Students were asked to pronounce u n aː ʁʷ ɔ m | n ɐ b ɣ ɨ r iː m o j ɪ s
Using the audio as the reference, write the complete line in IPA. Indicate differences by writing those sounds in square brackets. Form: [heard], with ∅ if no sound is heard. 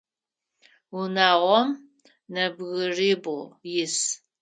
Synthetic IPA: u n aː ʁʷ ɔ m | n ɐ b ɣ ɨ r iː [b] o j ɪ s